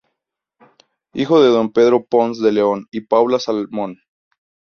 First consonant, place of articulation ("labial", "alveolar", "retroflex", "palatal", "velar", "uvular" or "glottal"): velar